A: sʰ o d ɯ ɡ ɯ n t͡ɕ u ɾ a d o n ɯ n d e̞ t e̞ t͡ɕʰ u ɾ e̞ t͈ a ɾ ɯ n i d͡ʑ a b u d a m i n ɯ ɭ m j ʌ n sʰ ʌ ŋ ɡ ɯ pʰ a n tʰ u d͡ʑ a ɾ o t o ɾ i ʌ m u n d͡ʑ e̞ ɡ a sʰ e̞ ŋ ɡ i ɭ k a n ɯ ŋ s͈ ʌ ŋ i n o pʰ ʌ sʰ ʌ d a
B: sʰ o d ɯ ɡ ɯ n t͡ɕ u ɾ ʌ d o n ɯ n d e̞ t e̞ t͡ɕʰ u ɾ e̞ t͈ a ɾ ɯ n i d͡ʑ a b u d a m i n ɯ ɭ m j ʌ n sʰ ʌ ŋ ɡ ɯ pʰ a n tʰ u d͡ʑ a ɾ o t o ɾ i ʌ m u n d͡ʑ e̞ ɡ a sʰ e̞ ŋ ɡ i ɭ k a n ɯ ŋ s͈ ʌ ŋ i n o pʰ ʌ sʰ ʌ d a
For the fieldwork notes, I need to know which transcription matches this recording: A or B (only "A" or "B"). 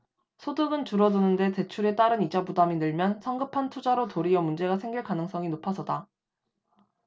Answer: B